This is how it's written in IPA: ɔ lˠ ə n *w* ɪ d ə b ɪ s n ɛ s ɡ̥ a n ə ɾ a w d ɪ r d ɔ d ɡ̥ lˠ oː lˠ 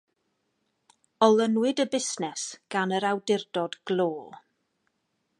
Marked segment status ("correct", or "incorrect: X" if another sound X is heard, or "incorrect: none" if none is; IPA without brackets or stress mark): correct